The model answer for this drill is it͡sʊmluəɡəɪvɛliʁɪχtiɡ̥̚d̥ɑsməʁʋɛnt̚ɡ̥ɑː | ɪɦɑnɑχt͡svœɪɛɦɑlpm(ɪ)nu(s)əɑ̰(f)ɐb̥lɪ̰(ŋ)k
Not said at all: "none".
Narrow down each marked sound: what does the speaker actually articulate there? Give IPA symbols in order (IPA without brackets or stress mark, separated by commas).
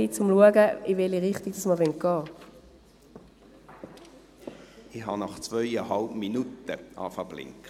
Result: i, t, f, ŋ